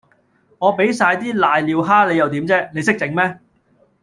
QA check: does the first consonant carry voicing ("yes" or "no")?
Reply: yes